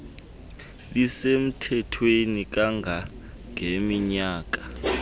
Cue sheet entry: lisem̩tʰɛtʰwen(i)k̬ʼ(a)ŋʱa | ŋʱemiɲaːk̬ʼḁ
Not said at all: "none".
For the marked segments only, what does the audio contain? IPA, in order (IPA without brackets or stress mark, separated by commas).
i, a